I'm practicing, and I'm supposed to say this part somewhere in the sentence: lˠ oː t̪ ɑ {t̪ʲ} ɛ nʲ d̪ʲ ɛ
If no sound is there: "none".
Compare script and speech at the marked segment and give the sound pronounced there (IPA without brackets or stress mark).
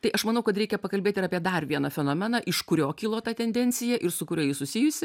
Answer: t̪ʲ